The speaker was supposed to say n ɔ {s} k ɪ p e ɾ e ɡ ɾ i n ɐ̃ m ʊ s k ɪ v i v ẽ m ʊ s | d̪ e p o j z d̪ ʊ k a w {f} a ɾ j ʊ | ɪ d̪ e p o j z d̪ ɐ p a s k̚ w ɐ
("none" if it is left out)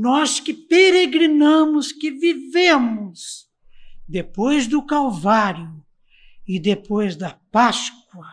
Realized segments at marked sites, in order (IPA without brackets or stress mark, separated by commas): s, v